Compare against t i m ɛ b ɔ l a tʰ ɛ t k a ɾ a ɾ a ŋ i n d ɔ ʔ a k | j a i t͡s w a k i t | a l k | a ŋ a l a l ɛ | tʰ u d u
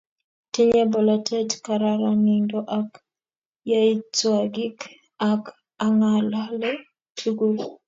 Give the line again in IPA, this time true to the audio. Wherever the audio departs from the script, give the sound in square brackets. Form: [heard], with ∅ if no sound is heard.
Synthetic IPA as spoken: t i [ɲ] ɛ b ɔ l a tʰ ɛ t k a ɾ a ɾ a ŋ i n d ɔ ʔ a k | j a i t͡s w a [ɡ] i [k] | a [∅] k | a ŋ a l a l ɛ | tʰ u [ɡ] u